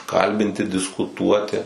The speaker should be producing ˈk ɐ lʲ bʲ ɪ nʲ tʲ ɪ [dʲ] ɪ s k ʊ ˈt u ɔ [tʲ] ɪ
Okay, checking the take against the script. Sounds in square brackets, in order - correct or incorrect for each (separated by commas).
correct, correct